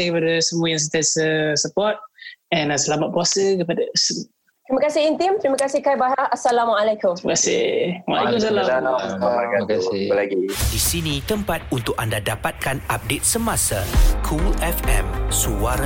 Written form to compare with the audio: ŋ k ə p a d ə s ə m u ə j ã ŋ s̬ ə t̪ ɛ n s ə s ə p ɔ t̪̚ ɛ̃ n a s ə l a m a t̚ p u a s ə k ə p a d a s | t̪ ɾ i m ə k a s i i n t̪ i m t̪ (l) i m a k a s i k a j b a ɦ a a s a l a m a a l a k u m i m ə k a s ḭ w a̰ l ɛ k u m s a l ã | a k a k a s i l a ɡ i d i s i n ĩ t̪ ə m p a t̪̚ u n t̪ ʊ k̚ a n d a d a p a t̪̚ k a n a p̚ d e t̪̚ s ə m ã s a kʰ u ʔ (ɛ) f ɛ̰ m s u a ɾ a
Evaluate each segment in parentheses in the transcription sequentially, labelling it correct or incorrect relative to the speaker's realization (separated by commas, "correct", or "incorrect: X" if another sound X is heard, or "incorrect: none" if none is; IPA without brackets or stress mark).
incorrect: ɾ, correct